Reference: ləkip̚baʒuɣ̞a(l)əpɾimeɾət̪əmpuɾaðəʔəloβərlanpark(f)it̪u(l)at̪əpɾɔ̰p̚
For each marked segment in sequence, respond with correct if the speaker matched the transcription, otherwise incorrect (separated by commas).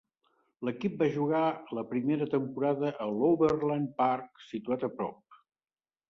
correct, incorrect, incorrect